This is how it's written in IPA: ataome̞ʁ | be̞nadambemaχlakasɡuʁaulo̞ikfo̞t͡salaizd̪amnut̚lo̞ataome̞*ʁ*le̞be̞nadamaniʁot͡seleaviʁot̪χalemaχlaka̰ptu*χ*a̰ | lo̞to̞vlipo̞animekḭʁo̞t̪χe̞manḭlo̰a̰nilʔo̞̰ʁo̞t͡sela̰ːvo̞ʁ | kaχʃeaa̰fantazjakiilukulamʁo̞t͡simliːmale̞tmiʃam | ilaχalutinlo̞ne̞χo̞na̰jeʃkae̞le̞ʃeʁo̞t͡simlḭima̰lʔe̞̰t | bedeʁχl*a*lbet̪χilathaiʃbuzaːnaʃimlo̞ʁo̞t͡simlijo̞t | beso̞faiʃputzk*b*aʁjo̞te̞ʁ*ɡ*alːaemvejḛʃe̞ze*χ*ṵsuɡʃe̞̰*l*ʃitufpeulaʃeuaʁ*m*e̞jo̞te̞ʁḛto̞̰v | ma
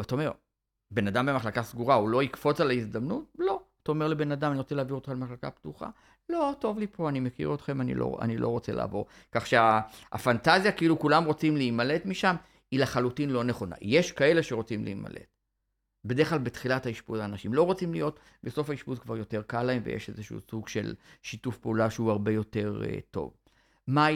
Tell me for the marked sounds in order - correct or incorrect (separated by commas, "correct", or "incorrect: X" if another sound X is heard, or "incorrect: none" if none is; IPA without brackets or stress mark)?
correct, correct, correct, incorrect: v, incorrect: k, incorrect: ʃ, correct, incorrect: b